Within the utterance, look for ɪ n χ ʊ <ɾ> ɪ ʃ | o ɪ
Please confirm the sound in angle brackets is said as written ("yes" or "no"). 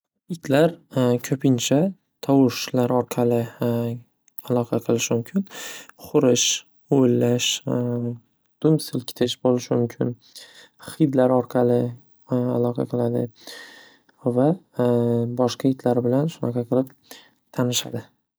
yes